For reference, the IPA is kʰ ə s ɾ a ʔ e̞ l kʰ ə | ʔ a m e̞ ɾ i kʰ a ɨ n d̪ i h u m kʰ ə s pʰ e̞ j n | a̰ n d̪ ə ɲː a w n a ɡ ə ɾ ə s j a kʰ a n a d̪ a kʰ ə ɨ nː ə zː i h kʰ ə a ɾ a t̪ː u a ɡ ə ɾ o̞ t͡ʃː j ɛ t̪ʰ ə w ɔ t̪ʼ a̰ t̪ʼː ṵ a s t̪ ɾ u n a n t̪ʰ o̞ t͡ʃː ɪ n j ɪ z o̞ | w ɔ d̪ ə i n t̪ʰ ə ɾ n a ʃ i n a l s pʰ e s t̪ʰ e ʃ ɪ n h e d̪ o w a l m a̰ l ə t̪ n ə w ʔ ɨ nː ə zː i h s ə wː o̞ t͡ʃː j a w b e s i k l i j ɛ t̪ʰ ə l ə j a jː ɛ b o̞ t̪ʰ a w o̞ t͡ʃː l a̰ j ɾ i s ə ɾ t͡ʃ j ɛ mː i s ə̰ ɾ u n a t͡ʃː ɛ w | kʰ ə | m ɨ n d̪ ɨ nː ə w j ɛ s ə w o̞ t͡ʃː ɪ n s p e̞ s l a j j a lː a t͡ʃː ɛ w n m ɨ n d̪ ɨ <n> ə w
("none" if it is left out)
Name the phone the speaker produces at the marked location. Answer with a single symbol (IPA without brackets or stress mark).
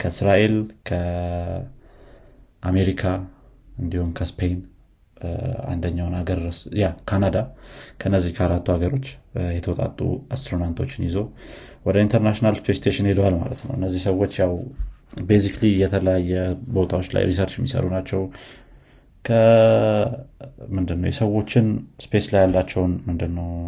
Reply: nː